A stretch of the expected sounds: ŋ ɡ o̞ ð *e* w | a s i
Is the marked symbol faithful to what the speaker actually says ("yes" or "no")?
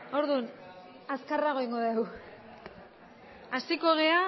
yes